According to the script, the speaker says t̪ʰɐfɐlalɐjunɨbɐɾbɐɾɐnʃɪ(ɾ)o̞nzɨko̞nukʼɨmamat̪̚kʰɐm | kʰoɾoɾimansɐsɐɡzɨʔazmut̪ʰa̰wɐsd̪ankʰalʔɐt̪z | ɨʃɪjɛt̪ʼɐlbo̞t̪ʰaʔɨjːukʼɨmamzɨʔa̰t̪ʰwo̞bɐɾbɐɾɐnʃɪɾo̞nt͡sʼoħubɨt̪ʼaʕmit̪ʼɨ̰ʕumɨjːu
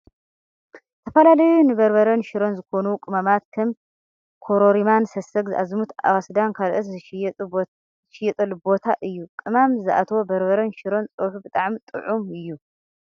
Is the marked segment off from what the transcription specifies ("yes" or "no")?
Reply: no